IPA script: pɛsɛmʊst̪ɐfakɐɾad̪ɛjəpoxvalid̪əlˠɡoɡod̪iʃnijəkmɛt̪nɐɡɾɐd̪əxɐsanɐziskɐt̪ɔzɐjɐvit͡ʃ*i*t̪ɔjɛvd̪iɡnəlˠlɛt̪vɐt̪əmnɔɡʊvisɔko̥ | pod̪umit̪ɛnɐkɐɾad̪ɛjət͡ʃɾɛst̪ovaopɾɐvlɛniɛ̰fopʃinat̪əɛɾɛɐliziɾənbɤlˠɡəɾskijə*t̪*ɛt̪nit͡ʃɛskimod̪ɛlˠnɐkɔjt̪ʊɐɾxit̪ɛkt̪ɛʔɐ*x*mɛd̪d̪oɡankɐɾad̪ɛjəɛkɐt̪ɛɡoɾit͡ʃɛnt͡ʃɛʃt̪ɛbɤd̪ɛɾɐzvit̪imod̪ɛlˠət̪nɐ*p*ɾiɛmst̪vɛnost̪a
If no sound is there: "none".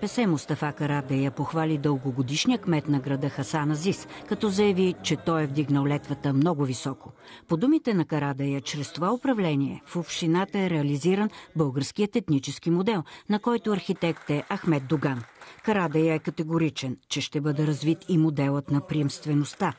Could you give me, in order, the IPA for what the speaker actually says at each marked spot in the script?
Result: ɛ, t̪, x, p

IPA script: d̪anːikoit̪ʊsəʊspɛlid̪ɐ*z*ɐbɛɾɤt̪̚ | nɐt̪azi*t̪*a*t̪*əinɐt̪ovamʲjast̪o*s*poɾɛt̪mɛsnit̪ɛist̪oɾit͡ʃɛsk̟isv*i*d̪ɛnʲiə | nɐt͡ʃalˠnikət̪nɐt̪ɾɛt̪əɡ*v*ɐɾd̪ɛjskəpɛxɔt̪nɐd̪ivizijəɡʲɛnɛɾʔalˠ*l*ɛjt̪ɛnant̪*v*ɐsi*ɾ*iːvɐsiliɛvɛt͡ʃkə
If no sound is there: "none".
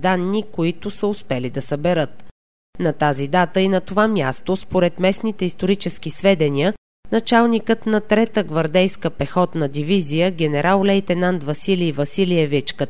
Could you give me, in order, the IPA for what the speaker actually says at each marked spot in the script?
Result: s, d̪, t̪, s, ɛ, v, l, v, l

